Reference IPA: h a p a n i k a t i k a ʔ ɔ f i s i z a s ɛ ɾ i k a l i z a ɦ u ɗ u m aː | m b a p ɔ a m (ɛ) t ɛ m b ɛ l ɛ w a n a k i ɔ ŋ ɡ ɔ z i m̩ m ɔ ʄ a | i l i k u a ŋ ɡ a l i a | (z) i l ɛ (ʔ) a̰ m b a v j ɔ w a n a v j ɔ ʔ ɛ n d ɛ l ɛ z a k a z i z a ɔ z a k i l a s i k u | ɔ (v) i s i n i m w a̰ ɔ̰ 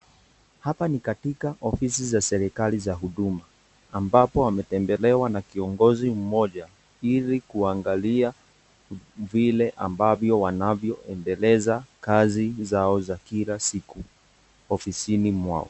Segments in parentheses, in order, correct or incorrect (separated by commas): correct, incorrect, correct, incorrect